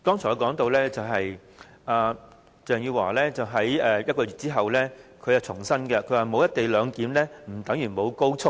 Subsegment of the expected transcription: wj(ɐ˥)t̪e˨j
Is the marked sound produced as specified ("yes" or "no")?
yes